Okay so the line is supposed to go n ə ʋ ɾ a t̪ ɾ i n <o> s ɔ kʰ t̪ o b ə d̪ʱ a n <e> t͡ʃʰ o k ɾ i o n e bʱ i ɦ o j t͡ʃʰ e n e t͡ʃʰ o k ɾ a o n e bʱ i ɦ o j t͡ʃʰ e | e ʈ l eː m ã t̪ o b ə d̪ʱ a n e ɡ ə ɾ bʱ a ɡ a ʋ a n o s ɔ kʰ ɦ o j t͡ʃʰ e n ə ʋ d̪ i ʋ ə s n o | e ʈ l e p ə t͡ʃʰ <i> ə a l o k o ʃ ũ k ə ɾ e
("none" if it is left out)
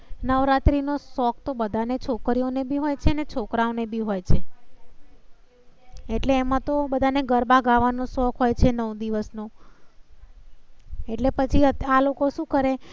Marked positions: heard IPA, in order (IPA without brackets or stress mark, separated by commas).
o, e, i